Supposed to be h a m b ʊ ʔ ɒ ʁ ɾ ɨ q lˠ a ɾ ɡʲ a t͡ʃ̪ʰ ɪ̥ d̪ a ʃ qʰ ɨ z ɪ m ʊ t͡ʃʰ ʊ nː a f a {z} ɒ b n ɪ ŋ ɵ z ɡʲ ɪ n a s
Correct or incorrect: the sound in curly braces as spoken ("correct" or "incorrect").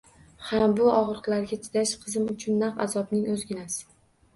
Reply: correct